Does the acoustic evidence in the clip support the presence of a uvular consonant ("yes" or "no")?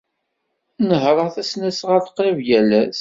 yes